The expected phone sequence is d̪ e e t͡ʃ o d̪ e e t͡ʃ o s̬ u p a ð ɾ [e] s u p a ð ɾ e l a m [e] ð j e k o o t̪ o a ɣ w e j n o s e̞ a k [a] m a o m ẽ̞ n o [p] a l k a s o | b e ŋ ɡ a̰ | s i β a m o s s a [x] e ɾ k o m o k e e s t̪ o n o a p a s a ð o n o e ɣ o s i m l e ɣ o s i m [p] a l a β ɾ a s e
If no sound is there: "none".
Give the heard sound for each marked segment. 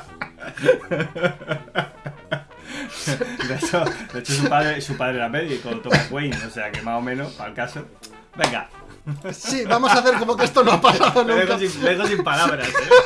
e, e, e, p, θ, p

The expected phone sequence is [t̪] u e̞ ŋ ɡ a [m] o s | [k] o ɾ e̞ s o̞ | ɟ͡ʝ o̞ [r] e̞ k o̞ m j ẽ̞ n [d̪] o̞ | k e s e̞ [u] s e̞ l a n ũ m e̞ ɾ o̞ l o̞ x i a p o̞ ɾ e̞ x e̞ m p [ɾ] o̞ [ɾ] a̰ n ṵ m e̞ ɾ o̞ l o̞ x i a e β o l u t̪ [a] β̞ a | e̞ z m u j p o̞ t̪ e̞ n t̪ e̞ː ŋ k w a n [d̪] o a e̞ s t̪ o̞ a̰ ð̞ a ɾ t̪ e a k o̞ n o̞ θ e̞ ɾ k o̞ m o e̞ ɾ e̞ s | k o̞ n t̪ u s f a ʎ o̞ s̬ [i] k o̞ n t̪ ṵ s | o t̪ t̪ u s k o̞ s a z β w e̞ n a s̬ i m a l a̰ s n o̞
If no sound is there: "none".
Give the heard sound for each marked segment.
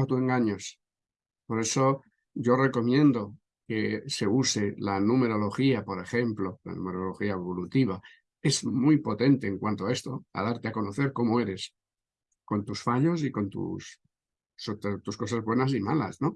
t̪, ɲ, p, r, d̪, u, l, l, i, t̪, i

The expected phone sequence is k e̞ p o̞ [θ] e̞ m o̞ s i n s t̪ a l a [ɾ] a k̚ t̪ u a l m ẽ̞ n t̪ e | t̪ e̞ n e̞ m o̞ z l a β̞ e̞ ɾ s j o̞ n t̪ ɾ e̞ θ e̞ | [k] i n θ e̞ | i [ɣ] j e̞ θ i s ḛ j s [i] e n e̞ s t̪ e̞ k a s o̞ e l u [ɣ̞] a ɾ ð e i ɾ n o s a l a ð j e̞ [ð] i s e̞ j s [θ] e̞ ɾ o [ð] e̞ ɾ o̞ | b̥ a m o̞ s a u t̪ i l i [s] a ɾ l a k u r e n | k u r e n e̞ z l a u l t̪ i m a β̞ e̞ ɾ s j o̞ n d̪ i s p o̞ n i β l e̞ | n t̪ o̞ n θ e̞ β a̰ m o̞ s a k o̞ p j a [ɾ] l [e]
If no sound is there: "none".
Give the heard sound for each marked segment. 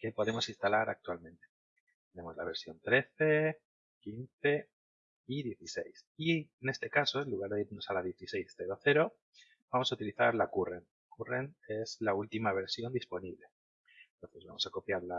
ð, ɾ, k, ð, i, ɣ̞, θ, θ, θ, θ, ɾ, a

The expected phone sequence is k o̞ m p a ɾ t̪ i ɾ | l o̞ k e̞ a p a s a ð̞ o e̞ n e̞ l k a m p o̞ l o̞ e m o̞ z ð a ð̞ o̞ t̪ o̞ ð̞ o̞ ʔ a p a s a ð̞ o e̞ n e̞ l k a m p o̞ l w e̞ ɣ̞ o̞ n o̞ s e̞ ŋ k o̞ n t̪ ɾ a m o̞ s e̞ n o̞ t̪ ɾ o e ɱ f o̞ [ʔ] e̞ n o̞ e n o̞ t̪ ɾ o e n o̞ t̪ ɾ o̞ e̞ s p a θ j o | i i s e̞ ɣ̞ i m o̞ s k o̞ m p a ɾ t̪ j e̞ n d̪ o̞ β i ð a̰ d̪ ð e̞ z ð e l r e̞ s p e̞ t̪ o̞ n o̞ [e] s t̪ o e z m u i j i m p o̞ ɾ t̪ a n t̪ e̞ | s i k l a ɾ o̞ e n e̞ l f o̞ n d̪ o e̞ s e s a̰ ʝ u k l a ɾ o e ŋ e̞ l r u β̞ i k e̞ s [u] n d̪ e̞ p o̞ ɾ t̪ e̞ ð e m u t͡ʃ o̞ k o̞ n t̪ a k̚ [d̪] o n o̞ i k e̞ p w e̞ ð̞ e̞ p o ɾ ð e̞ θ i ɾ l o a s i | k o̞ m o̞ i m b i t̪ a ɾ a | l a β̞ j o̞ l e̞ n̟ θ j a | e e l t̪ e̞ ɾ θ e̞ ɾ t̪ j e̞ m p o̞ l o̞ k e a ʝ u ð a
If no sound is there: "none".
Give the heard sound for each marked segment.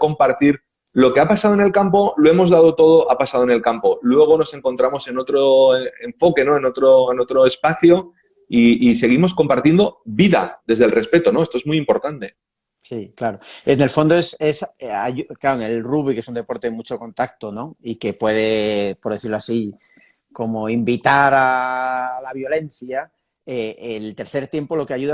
k, e, u, t̪

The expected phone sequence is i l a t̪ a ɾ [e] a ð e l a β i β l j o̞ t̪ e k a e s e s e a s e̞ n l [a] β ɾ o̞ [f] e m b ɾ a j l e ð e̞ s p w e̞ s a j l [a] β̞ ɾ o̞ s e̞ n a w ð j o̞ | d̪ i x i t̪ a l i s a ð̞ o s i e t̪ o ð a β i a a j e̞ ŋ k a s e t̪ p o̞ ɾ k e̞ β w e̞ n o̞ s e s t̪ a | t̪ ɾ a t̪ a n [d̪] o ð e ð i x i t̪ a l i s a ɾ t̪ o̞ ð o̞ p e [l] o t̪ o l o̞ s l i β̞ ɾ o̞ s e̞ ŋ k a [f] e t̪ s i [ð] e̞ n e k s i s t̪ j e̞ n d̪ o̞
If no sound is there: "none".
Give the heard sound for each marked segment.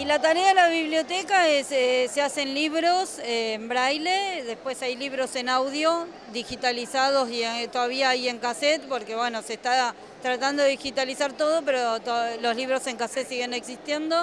e, i, s, i, d̪, ɾ, s, ɣ

